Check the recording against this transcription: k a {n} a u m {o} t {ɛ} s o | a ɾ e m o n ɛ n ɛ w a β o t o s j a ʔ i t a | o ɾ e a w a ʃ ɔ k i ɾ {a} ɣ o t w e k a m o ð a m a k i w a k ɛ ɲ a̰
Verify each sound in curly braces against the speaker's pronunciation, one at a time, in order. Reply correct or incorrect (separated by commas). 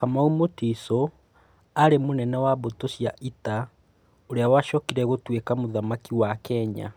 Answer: incorrect, correct, incorrect, incorrect